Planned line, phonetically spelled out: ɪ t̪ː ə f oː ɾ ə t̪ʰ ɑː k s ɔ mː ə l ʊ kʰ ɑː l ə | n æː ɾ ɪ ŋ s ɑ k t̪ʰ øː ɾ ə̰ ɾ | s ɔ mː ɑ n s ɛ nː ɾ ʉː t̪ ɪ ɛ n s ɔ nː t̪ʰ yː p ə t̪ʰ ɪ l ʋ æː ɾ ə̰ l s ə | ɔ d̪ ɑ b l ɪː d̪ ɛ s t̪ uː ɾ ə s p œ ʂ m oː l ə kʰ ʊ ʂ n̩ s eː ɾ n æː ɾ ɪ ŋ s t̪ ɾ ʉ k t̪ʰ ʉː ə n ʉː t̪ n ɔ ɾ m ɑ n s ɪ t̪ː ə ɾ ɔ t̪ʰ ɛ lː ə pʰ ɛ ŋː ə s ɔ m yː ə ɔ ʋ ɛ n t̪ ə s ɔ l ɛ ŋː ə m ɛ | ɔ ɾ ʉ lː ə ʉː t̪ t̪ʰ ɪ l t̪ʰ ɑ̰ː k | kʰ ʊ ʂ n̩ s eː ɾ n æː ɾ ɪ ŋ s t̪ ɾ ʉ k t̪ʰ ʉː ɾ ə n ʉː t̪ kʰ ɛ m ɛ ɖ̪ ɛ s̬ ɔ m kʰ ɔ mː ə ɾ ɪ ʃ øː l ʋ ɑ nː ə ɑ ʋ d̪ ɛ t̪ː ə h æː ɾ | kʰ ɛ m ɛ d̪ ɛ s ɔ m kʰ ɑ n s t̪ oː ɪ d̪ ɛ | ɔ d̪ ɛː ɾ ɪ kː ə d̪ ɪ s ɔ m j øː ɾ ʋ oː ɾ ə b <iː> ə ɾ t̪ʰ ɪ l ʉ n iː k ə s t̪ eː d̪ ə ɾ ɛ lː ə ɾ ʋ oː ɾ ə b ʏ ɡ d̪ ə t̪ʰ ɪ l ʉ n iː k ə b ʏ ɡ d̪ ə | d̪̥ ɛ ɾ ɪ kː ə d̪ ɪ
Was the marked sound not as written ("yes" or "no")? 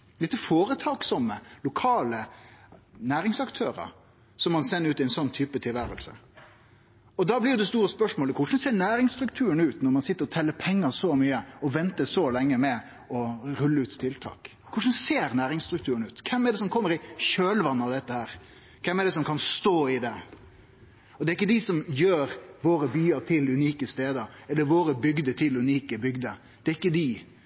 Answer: yes